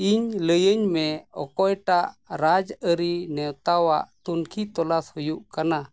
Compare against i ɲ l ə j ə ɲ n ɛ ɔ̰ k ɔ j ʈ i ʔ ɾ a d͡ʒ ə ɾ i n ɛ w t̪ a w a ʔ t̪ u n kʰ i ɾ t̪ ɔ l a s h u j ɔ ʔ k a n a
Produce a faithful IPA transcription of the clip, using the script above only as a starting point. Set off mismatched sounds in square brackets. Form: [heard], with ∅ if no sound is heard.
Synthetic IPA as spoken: i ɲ l ə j ə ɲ [m] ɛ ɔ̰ k ɔ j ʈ [a] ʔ ɾ a d͡ʒ ə ɾ i n ɛ w t̪ a w a ʔ t̪ u n kʰ i [∅] t̪ ɔ l a s h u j [u] ʔ k a n a